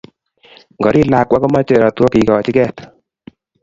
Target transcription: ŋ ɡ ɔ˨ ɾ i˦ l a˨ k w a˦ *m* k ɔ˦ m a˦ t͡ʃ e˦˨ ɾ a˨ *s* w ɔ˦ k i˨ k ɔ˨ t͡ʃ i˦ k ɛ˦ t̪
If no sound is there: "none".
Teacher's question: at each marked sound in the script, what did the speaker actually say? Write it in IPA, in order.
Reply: none, t

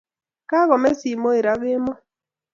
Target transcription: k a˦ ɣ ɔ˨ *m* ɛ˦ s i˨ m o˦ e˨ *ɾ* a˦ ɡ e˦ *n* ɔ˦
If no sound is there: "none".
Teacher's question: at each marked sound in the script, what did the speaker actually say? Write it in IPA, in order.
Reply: m, ɾ, m

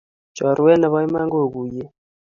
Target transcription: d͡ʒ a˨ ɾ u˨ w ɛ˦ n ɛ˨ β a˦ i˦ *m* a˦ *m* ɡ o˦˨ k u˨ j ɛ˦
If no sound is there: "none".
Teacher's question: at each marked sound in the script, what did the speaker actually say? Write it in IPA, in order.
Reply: m, ŋ

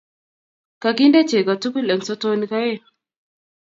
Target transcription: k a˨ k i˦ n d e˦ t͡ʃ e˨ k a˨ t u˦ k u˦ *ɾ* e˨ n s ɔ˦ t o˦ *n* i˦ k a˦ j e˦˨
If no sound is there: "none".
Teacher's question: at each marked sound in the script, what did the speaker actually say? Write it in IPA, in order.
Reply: l, n

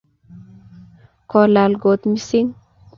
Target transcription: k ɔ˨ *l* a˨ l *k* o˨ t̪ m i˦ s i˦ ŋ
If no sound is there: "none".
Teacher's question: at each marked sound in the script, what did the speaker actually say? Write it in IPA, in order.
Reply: l, ɡ

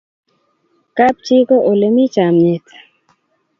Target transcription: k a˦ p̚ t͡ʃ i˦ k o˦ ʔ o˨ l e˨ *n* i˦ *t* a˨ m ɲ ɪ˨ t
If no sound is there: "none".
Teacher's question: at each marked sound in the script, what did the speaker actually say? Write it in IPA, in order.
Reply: m, t͡ʃ

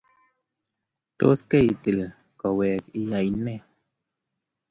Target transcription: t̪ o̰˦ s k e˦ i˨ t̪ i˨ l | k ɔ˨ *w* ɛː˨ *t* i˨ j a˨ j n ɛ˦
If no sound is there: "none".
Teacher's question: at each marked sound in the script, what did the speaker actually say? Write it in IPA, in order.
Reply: w, k

